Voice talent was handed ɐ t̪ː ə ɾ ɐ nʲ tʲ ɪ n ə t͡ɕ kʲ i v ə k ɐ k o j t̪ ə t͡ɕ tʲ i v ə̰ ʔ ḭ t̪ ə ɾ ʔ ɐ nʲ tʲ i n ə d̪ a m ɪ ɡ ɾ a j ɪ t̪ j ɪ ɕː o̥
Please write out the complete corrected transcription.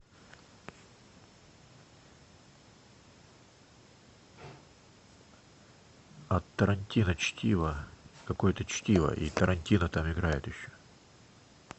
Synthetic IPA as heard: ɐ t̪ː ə ɾ ɐ nʲ tʲ i n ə t͡ɕ tʲ i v ə k ɐ k o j t̪ ə t͡ɕ tʲ i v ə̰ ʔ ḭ t̪ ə ɾ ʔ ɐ nʲ tʲ i n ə t̪ a m ɪ ɡ ɾ a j ɪ t̪ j ɪ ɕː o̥